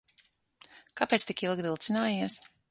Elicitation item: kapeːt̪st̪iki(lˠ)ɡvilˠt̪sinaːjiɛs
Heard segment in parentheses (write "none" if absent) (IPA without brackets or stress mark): lˠ